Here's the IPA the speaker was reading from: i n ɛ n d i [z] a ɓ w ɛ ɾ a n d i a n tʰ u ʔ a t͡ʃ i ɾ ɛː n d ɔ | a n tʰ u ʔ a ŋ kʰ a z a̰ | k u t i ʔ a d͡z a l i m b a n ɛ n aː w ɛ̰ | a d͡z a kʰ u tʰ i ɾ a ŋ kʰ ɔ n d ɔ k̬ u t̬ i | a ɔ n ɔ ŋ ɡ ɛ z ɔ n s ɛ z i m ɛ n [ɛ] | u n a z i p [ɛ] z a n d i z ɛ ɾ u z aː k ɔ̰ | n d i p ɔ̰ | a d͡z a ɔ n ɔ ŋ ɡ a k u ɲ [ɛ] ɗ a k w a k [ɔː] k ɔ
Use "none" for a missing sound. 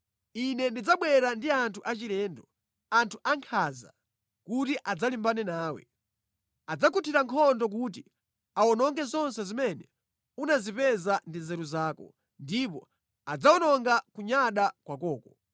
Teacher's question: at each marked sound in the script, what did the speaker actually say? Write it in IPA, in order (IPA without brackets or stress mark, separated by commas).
d͡z, ɛ, ɛ, a, ɔː